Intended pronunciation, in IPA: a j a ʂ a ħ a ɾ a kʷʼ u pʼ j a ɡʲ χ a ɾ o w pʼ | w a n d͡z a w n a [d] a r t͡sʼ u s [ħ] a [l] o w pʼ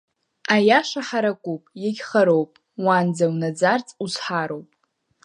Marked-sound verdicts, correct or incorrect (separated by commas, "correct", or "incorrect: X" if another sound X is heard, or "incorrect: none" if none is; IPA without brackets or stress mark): incorrect: d͡z, correct, incorrect: ɾ